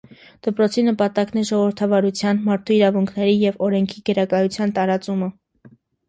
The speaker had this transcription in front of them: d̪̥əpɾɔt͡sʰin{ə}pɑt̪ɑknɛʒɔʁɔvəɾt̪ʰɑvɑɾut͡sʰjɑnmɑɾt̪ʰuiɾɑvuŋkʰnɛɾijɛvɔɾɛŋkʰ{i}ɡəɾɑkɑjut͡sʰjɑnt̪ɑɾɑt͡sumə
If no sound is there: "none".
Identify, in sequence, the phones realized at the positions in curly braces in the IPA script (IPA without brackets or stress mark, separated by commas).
ə, i